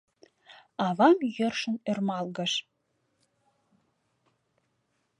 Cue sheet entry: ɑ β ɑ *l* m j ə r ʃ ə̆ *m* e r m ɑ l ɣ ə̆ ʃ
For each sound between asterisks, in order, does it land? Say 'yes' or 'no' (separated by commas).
no, no